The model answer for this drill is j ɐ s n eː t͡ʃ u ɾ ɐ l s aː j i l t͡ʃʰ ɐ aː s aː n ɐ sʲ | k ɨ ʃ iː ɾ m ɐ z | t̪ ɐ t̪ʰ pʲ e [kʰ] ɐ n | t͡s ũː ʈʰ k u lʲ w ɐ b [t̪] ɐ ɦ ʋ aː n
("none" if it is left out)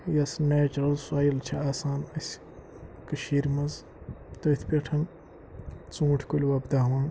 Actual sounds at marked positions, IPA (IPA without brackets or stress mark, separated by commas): ʈʰ, d̪